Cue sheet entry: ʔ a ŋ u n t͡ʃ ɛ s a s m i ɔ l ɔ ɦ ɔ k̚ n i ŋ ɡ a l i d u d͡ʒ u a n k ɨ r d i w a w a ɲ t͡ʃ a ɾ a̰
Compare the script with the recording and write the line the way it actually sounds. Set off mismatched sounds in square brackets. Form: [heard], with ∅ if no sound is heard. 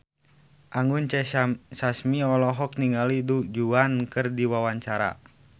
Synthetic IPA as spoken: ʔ a ŋ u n t͡ʃ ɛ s a s m i ɔ l ɔ ɦ ɔ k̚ n i ŋ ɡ a l i d u d͡ʒ u a n k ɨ r d i w a w a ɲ t͡ʃ a ɾ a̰